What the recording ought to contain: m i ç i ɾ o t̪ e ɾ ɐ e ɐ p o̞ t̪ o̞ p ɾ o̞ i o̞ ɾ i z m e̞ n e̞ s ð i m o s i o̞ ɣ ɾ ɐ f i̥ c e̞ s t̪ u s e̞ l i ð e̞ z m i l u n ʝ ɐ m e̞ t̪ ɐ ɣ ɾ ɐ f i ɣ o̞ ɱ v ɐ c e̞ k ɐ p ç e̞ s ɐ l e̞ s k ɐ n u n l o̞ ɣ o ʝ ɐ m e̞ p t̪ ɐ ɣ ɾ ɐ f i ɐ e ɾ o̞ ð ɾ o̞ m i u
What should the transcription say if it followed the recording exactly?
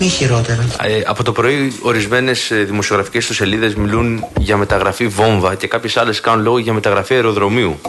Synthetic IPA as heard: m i ç i ɾ o t̪ e ɾ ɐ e ɐ p o̞ t̪ o̞ p ɾ o̞ i o̞ ɾ i z m e̞ n e̞ s ð i m o s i o̞ ɣ ɾ ɐ f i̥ c e̞ s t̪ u s e̞ l i ð e̞ z m i l u n ʝ ɐ m e̞ t̪ ɐ ɣ ɾ ɐ f i v o̞ ɱ v ɐ c e̞ k ɐ p ç e̞ s ɐ l e̞ s k ɐ n u n l o̞ ɣ o ʝ ɐ m e̞ t̪ ɐ ɣ ɾ ɐ f i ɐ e ɾ o̞ ð ɾ o̞ m i u